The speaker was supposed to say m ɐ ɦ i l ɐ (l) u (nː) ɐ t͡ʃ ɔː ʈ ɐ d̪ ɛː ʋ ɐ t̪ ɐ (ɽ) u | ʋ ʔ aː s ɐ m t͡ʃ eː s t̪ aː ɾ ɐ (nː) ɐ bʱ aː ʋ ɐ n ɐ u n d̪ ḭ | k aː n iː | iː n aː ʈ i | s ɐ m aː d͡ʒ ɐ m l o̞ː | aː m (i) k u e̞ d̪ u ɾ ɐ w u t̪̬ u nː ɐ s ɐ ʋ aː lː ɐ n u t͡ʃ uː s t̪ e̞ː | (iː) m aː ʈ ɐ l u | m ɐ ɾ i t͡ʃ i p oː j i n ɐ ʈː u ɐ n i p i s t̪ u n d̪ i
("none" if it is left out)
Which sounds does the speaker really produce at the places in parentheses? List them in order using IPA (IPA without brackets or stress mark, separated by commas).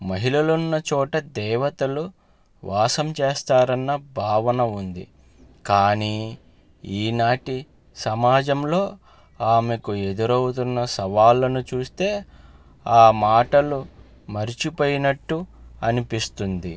l, nː, l, nː, e, aː